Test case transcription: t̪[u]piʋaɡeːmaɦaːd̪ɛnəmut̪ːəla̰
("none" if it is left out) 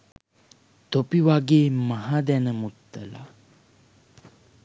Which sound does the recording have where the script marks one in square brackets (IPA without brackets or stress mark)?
o